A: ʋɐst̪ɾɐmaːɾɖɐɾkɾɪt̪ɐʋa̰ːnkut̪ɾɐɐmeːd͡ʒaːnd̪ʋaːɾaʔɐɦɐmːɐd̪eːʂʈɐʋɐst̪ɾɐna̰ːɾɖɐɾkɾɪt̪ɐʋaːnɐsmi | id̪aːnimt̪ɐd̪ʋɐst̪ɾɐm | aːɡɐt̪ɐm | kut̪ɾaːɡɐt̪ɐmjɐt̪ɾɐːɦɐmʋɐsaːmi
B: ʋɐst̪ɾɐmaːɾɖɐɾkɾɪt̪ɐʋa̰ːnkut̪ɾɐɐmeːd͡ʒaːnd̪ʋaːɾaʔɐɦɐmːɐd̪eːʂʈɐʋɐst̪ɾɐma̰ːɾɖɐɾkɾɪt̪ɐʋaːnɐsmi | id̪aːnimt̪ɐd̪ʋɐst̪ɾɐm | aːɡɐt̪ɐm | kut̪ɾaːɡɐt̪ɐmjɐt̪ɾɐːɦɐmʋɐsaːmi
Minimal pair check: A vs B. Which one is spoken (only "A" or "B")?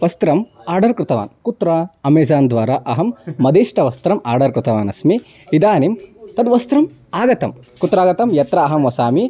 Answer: B